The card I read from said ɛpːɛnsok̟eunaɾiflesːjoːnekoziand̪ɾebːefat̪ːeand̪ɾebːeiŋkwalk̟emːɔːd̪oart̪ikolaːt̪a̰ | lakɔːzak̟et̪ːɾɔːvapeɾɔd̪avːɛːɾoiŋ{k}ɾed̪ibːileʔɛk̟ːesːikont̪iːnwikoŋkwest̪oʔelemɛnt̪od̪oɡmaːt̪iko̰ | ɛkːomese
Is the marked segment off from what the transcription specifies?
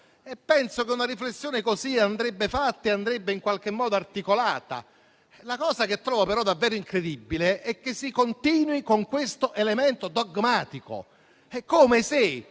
no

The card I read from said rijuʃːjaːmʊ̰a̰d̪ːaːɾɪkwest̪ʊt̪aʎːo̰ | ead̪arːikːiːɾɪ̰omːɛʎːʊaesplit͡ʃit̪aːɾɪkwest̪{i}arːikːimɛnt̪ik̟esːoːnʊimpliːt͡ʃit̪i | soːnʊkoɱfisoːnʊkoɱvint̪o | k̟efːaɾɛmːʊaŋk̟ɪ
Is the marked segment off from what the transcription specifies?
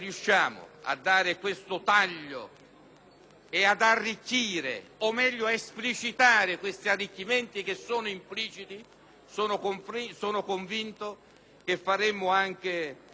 no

